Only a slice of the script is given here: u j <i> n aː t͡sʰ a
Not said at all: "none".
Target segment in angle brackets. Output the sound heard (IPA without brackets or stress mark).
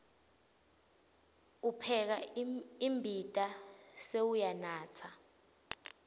a